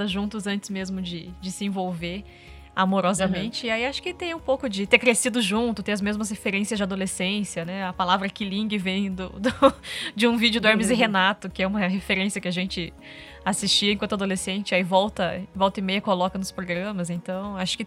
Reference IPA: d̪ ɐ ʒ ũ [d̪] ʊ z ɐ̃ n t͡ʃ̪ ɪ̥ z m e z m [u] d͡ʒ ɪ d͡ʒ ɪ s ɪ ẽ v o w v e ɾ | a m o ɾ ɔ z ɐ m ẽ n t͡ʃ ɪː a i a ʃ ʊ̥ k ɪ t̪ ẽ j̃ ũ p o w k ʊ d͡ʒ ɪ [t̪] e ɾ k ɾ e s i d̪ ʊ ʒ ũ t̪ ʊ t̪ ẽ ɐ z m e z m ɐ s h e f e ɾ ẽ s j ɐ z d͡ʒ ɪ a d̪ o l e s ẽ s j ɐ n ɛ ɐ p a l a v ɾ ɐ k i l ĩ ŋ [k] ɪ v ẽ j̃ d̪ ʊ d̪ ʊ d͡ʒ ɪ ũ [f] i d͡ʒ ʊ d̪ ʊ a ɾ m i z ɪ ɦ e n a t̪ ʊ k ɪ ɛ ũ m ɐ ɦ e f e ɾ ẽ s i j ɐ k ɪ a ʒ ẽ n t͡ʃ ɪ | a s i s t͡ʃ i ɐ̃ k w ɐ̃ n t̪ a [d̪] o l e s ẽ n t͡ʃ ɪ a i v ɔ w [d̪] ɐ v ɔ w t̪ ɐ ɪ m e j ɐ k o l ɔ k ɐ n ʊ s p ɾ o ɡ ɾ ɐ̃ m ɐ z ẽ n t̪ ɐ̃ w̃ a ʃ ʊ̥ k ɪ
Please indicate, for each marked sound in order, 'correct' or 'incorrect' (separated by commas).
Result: incorrect, incorrect, correct, incorrect, incorrect, correct, incorrect